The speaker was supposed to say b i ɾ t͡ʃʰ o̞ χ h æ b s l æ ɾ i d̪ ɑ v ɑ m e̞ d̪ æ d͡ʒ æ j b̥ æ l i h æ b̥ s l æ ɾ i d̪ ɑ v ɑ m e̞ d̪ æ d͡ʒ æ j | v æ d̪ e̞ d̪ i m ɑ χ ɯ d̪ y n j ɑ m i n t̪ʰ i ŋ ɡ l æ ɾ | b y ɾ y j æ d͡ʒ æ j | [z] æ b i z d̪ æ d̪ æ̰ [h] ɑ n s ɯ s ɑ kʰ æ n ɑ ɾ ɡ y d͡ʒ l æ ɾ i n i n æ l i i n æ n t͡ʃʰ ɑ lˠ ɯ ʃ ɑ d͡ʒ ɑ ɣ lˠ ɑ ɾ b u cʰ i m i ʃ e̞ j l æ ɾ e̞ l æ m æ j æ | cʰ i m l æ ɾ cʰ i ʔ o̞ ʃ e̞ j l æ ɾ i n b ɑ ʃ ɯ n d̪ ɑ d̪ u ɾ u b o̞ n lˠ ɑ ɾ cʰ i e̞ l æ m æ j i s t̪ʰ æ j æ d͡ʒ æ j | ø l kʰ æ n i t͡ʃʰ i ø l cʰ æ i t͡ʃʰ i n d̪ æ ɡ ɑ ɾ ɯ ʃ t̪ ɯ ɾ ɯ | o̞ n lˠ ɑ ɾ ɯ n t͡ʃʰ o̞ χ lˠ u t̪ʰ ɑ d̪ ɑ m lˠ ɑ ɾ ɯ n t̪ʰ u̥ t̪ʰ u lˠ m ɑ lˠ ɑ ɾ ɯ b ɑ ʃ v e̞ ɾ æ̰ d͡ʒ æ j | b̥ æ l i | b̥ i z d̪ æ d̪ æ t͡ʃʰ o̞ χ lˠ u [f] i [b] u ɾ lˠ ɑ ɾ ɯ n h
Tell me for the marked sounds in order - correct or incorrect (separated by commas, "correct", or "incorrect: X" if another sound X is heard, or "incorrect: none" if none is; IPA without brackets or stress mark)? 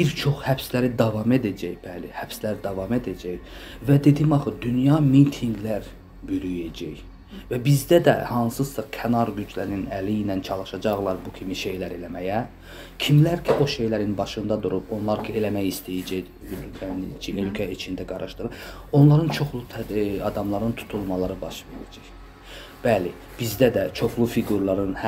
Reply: incorrect: v, correct, correct, incorrect: ɡ